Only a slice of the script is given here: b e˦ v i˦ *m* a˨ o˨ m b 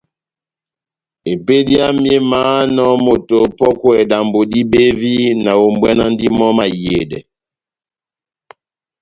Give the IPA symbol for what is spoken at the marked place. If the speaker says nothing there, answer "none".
n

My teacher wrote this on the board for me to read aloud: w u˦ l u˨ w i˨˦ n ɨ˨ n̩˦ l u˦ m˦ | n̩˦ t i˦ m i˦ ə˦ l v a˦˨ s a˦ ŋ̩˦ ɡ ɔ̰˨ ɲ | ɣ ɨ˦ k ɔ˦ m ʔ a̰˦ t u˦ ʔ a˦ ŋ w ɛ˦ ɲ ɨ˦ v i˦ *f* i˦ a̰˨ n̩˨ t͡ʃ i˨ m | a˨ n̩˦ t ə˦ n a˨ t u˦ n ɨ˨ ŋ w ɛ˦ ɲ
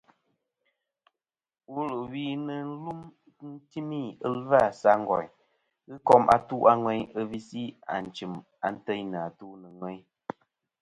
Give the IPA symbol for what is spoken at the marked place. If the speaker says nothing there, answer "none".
s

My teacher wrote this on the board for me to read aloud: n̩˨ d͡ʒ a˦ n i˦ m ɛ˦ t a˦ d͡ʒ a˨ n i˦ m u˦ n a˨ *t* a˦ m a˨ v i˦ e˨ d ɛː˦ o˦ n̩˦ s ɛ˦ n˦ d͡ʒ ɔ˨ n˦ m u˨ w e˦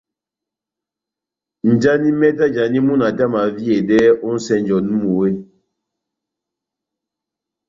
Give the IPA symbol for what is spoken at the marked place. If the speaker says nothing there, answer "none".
t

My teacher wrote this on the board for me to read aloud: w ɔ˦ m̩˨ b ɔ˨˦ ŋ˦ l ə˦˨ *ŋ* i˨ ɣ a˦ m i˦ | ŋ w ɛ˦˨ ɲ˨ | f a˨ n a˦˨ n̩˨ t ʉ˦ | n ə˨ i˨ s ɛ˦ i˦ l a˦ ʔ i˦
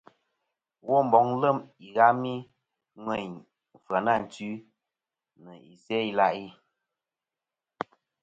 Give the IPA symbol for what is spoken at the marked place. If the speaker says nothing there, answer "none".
m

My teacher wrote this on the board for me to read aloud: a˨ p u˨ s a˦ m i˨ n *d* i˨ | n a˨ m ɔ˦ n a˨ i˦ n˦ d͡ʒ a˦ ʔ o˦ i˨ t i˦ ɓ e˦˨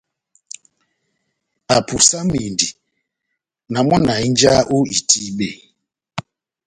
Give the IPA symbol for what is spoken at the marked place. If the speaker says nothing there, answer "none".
d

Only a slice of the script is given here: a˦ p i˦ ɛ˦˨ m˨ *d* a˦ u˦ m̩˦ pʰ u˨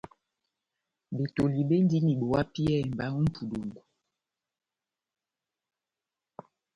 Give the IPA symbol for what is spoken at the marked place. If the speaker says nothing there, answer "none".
b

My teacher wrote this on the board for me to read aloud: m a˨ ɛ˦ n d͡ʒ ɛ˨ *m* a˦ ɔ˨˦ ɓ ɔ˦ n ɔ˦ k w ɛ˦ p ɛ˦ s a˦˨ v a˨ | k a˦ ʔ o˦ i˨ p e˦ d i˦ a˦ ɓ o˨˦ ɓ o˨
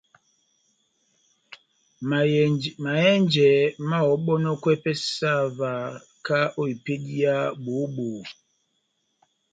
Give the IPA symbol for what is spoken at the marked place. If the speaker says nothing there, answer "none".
m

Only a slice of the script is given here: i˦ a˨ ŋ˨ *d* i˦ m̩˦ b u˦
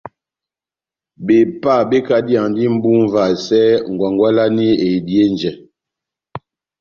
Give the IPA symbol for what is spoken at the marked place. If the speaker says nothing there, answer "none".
d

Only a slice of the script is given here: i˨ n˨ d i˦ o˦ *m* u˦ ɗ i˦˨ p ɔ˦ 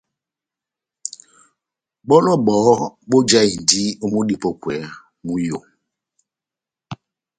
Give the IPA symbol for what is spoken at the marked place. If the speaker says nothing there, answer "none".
m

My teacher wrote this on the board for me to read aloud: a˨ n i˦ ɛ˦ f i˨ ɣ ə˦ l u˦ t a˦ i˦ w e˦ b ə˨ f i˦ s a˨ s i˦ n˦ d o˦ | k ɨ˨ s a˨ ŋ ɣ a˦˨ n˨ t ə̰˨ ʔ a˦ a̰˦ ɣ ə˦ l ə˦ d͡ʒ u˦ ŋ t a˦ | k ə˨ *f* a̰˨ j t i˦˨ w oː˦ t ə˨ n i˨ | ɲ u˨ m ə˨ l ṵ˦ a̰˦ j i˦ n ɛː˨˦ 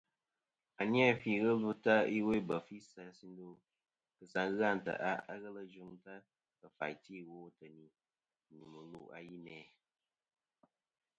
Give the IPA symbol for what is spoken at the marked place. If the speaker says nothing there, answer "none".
f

